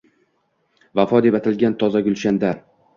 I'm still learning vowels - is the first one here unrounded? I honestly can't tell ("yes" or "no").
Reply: yes